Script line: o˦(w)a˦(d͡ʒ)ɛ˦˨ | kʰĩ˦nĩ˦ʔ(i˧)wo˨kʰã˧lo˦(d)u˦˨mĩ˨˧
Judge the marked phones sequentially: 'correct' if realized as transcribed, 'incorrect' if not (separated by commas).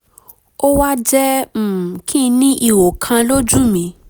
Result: correct, correct, correct, incorrect